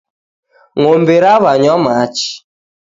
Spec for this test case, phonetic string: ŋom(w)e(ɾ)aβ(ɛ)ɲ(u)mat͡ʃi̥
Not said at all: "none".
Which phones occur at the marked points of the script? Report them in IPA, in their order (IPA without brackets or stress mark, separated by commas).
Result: b, ɾ, a, ɔ